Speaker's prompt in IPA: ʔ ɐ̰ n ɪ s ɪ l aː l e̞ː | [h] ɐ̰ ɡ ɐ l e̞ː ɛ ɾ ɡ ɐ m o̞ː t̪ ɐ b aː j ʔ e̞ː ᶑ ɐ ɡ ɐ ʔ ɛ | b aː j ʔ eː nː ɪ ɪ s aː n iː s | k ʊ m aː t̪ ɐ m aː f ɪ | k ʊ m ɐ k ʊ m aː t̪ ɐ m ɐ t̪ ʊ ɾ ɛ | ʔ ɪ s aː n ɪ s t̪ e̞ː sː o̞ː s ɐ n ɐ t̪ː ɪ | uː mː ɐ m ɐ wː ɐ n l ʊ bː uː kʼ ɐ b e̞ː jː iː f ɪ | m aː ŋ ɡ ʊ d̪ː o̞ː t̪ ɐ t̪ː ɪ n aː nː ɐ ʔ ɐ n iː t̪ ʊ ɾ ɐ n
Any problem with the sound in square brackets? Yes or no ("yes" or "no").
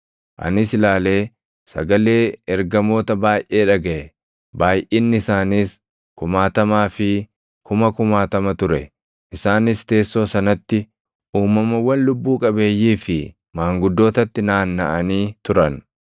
yes